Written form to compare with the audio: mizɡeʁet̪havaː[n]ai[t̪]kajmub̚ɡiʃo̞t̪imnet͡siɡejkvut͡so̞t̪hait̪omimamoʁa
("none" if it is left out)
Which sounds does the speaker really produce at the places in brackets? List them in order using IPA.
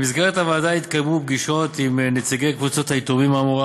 d, t̪

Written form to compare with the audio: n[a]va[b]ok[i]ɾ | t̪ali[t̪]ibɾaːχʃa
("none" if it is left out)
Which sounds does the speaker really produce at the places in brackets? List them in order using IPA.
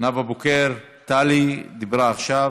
a, b, e, d̪

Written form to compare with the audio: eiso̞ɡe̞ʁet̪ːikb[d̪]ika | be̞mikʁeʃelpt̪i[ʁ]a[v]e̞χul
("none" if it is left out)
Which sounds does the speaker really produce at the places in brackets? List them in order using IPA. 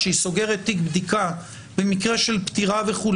d̪, ʁ, v

